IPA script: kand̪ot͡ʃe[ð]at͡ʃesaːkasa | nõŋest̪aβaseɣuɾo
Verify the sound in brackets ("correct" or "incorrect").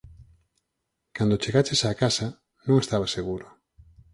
incorrect